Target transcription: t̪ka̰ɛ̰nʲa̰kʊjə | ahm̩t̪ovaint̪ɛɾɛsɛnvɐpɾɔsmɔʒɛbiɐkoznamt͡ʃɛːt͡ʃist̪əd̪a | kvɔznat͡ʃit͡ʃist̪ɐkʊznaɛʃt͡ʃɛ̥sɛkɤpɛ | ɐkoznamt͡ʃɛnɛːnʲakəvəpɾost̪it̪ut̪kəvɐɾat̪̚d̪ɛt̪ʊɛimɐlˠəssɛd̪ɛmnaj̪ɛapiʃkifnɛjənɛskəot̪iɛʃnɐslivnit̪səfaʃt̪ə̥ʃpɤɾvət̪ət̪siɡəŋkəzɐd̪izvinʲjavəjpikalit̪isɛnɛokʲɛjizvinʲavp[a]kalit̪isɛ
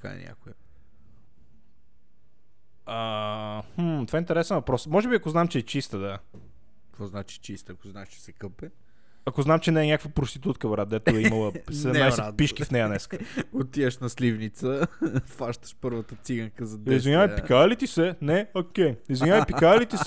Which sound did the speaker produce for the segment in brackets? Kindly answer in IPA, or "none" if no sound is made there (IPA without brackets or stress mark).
i